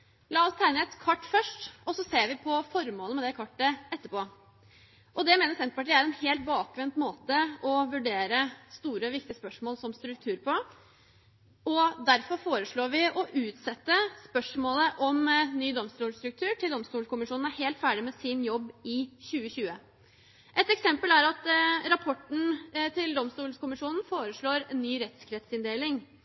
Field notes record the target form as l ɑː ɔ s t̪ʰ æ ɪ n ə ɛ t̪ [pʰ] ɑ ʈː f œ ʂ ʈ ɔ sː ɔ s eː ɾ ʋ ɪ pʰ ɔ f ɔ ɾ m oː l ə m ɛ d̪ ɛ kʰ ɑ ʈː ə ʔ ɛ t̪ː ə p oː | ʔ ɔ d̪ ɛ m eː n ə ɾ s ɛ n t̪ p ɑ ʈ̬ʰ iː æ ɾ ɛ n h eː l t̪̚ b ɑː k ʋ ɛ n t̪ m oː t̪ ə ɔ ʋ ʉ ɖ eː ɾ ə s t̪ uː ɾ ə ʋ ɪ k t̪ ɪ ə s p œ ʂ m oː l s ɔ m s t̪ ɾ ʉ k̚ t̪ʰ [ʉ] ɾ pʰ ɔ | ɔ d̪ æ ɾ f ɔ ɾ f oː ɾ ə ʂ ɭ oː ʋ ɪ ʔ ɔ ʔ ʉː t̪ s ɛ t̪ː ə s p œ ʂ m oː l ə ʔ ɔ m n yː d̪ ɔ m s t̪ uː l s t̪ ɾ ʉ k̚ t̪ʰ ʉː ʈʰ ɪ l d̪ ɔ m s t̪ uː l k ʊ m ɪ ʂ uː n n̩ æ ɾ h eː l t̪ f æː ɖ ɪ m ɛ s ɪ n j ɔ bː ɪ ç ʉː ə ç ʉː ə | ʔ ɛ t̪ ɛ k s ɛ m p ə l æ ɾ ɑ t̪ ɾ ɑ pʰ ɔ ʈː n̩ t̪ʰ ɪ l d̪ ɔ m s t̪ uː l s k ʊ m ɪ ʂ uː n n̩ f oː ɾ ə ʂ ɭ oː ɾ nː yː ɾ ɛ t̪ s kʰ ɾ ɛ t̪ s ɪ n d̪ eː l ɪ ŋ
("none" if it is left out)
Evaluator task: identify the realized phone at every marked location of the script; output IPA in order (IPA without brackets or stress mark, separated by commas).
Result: kʰ, ʉː